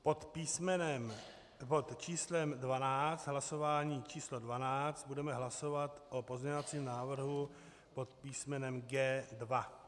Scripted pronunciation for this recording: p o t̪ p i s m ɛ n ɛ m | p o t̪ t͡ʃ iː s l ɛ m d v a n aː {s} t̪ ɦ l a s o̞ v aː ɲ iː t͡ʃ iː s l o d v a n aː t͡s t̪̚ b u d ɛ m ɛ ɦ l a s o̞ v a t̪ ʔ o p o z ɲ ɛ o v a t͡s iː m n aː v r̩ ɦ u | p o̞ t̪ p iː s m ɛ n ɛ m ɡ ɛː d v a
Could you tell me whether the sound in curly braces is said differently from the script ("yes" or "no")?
yes